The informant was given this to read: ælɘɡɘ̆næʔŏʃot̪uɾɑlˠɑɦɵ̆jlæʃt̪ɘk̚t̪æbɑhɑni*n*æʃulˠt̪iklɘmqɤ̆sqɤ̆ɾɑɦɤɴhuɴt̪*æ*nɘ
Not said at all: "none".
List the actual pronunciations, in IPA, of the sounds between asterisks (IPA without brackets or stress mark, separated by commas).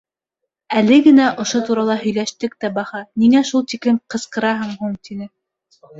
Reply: ŋ, i